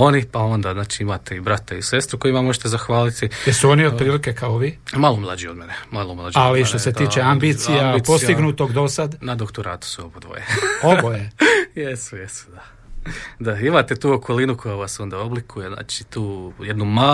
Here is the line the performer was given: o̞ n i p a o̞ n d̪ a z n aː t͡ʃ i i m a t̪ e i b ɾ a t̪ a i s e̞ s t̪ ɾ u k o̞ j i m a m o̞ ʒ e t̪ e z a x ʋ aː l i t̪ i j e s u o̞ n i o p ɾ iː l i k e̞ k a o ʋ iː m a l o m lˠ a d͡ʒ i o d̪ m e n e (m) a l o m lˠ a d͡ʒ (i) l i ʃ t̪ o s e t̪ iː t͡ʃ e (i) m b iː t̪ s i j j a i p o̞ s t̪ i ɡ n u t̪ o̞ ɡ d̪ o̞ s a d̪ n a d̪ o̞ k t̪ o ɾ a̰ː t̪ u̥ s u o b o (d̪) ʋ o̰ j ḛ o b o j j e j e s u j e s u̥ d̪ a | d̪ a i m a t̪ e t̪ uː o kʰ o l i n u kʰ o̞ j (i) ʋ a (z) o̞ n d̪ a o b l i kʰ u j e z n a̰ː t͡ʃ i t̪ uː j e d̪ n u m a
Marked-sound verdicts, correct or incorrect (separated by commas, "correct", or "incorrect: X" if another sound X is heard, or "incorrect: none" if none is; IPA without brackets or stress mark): correct, incorrect: a, incorrect: a, correct, incorrect: a, incorrect: s